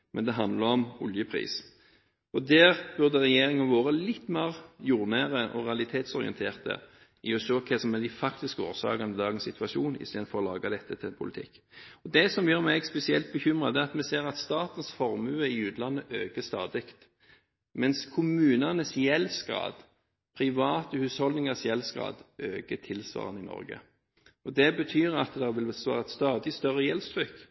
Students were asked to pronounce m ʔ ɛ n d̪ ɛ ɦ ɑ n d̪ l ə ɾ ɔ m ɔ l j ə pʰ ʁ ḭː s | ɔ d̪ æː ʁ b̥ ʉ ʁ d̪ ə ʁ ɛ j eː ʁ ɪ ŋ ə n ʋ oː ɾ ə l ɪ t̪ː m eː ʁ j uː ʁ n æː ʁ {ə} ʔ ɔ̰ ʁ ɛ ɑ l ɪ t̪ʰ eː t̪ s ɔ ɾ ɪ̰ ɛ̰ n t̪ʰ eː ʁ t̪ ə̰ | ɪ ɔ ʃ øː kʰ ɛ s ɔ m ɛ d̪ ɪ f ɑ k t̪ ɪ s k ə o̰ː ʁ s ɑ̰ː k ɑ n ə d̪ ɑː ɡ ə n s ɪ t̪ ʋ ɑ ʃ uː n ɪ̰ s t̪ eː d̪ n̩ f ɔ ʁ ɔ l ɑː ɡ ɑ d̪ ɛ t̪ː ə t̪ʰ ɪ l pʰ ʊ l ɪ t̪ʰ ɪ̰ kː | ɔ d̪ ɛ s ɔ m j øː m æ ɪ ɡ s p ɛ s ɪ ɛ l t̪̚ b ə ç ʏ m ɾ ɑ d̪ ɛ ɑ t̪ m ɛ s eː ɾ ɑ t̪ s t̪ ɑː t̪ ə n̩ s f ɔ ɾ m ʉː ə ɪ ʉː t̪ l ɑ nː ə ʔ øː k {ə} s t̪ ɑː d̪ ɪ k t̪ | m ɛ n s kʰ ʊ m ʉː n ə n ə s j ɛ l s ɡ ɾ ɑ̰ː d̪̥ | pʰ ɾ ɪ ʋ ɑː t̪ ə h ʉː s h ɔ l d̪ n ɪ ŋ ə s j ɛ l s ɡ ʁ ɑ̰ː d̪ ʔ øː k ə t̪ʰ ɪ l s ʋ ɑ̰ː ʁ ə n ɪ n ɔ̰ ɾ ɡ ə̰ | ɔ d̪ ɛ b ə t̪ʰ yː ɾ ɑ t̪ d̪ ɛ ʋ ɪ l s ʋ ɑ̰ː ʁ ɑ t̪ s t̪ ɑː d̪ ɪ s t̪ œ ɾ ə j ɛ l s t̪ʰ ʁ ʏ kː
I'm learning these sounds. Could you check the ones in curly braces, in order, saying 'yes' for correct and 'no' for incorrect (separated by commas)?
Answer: yes, yes